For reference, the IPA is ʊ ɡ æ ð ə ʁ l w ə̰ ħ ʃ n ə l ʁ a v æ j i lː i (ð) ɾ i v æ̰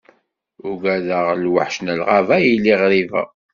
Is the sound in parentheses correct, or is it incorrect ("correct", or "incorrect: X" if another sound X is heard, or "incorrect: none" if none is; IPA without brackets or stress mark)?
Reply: incorrect: ʁ